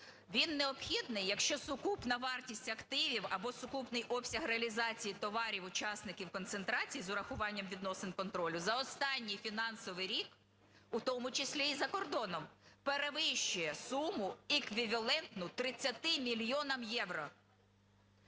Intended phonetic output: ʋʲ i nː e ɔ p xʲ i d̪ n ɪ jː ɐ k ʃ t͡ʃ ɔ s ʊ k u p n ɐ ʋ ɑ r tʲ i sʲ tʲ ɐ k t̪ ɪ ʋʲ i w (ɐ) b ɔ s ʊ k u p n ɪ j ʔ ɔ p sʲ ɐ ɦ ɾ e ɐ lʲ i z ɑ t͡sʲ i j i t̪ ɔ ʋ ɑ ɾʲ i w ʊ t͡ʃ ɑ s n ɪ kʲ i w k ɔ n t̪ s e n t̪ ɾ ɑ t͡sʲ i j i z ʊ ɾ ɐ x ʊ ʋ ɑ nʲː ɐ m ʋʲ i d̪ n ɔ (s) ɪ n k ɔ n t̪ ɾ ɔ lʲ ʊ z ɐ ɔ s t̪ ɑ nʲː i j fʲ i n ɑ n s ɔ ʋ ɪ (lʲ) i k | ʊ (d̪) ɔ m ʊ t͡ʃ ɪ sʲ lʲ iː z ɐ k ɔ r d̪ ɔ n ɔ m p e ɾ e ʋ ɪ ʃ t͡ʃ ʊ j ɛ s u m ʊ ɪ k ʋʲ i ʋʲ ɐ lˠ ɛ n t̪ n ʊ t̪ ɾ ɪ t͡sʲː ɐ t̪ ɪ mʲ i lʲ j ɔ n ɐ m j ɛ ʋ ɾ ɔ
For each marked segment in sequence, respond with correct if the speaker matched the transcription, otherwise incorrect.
correct, correct, incorrect: ɾʲ, incorrect: t̪

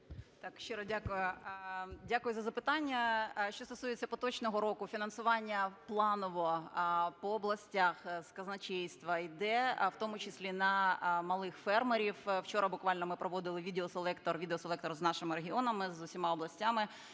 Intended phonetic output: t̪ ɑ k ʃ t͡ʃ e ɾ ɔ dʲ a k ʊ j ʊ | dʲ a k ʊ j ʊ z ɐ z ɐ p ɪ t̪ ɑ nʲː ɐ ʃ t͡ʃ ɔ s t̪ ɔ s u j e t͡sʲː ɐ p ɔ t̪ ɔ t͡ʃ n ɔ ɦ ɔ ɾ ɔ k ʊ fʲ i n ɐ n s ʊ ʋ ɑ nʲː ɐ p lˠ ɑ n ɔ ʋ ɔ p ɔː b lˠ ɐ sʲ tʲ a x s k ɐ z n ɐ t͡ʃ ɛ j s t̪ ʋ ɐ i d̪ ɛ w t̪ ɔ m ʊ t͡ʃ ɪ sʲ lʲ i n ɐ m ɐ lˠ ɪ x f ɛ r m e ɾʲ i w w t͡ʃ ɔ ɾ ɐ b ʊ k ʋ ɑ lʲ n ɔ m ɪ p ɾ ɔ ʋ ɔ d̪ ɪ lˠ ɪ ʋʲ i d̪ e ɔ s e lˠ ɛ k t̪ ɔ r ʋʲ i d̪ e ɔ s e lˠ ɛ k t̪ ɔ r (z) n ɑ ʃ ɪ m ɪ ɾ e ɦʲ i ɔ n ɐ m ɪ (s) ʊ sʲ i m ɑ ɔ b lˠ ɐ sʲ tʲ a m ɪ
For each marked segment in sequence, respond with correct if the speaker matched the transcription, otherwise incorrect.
correct, incorrect: z

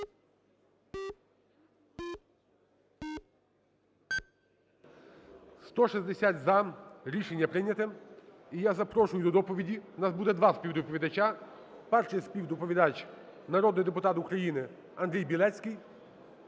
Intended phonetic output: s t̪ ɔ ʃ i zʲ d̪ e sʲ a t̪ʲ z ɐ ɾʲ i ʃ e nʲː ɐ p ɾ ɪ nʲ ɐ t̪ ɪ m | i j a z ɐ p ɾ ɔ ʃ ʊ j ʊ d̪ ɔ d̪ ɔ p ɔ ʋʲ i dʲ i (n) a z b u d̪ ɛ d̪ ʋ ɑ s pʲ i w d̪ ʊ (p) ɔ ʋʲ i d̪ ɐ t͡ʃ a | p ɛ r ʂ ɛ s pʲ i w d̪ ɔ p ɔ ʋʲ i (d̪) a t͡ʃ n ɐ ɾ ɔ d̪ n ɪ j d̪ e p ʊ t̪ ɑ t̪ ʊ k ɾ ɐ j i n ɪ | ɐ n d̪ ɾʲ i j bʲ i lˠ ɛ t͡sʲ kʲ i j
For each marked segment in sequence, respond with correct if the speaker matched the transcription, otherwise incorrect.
correct, correct, correct

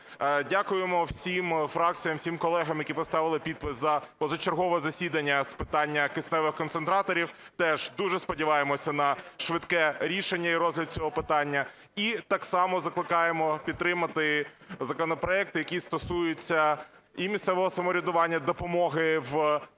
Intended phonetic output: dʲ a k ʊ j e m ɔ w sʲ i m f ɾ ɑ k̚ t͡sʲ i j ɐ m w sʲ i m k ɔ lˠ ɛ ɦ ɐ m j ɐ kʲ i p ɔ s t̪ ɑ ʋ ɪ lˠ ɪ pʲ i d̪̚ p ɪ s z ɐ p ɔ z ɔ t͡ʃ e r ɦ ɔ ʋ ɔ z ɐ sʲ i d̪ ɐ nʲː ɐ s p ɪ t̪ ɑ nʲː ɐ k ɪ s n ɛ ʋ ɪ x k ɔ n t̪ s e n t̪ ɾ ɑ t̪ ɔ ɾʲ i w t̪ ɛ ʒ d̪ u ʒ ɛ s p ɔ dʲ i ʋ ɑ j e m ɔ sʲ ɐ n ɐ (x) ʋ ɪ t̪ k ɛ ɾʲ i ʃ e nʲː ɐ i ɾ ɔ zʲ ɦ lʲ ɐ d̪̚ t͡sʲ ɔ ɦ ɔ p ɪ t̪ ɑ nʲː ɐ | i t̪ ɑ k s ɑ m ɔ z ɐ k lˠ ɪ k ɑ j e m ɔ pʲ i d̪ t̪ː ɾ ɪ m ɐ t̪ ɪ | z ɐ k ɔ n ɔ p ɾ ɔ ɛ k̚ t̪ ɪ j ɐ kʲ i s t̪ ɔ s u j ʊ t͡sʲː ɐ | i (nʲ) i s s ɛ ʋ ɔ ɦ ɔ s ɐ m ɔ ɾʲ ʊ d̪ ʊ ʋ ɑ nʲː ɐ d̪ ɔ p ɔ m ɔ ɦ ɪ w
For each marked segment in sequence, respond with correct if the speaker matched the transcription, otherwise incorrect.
incorrect: ʃ, incorrect: mʲ

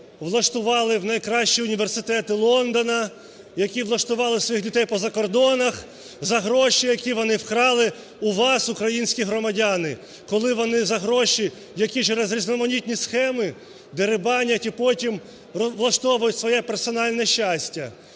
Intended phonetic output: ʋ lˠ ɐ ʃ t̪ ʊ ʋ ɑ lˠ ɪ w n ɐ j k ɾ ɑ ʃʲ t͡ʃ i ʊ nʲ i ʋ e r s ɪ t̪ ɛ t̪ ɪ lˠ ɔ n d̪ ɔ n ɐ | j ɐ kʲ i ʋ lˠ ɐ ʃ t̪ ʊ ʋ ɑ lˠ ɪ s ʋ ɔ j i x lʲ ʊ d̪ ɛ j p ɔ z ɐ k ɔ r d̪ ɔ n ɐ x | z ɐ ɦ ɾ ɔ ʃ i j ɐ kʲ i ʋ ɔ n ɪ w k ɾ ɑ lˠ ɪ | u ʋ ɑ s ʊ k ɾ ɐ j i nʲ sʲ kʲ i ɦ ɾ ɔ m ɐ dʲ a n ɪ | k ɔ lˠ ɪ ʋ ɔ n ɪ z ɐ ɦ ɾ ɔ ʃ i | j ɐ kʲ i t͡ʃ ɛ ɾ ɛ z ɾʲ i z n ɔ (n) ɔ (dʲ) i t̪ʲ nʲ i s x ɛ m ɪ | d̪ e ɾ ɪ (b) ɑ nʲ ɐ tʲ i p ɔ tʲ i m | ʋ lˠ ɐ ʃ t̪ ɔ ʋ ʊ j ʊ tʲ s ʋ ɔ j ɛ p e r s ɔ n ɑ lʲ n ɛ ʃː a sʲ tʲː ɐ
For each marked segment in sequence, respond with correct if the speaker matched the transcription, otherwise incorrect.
incorrect: m, incorrect: nʲ, correct

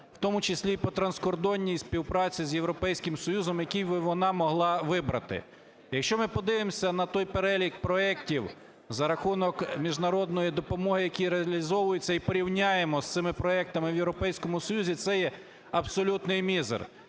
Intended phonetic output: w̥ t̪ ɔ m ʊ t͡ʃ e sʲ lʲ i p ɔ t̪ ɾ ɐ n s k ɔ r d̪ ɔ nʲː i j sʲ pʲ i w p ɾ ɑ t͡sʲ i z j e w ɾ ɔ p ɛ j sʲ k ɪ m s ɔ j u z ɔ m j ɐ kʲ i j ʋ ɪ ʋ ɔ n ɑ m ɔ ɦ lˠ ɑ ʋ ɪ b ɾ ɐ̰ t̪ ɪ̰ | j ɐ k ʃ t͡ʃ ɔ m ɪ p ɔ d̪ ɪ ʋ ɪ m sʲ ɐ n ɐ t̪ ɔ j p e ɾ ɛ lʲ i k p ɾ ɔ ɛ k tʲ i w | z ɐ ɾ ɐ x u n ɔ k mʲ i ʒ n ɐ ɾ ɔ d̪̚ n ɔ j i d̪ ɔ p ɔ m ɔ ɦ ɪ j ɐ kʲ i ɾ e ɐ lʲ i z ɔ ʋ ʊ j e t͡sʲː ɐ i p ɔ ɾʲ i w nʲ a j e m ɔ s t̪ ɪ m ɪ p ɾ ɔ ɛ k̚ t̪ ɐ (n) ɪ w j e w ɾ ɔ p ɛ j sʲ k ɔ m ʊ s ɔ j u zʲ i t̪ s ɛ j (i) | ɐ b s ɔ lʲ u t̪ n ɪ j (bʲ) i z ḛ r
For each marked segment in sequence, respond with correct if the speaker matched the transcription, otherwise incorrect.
incorrect: m, incorrect: ɛ, incorrect: mʲ

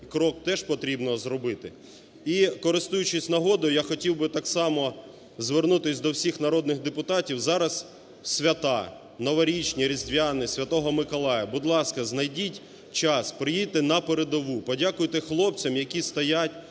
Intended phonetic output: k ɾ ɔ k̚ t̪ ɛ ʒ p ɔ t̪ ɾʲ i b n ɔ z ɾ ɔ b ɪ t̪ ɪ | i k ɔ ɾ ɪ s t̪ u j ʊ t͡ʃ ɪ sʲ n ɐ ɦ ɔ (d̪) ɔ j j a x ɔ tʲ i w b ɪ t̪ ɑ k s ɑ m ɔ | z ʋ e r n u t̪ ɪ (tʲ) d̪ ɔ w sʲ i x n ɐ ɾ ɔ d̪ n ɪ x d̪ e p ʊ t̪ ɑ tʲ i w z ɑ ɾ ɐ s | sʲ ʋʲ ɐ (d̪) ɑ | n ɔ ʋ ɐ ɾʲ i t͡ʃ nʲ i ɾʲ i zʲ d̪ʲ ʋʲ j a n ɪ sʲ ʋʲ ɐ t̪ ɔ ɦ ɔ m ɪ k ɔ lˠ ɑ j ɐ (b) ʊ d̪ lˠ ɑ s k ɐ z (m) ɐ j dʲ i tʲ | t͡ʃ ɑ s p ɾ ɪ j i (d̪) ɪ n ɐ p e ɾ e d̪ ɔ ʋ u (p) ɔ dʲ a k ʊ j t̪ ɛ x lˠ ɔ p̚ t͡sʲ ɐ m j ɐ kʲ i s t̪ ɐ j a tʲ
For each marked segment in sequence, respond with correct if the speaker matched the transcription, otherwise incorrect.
correct, incorrect: sʲ, incorrect: t̪, correct, incorrect: n, incorrect: t̪, correct

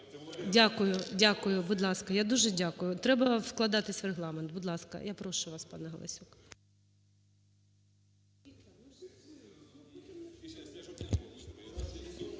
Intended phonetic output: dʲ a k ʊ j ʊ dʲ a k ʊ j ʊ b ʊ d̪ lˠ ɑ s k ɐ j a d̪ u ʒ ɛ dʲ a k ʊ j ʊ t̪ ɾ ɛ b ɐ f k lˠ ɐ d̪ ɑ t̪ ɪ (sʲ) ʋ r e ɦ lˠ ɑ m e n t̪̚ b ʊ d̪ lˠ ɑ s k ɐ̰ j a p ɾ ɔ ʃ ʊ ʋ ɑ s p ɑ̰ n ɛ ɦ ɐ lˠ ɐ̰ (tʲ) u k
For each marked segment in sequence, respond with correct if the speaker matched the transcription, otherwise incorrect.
correct, incorrect: sʲ

